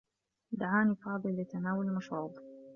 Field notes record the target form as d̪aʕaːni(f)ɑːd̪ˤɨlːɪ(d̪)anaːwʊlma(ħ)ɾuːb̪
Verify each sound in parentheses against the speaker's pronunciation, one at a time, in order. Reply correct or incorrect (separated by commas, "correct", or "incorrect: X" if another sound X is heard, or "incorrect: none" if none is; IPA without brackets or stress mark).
correct, incorrect: t̪, incorrect: ʃ